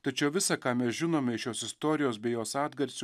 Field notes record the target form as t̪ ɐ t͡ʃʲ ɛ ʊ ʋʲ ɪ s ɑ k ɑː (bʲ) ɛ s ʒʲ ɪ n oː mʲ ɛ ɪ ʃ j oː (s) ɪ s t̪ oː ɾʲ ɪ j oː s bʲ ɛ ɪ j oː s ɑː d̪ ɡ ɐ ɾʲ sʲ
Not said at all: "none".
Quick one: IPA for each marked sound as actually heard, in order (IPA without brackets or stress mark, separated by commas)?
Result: mʲ, s